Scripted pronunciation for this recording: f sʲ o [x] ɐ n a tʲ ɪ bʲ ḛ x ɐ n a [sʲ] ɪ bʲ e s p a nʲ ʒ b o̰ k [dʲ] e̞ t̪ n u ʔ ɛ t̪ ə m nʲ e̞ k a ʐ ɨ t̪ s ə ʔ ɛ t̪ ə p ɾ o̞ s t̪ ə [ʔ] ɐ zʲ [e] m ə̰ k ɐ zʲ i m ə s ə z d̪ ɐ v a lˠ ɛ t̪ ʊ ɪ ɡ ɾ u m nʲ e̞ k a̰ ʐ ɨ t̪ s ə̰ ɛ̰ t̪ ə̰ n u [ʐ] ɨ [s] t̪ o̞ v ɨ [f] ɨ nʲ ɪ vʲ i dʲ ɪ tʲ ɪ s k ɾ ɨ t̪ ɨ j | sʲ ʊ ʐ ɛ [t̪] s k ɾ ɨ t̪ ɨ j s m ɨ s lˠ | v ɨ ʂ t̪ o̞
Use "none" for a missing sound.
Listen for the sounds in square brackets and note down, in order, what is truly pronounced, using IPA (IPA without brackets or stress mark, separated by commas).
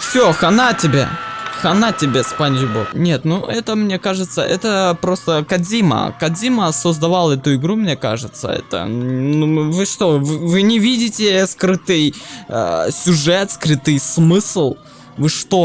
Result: x, tʲ, nʲ, k, i, v, ʂ, v, t̪